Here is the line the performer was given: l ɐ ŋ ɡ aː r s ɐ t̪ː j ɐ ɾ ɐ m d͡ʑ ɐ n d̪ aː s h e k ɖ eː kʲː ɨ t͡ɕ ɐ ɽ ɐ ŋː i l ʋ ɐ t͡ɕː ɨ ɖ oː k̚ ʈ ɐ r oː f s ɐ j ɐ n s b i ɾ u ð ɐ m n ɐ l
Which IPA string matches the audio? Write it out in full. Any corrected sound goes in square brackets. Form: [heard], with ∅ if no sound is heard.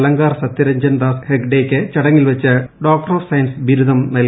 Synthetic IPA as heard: l ɐ ŋ ɡ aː r s ɐ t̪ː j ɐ ɾ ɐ [ɲ] d͡ʑ ɐ n d̪ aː s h e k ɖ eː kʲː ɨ t͡ɕ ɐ ɽ ɐ ŋː i l ʋ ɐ t͡ɕː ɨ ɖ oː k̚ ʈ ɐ r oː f s ɐ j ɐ n s b i ɾ u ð ɐ m n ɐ l